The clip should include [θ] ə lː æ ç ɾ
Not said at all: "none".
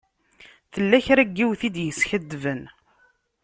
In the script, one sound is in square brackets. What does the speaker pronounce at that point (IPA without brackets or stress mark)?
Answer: θ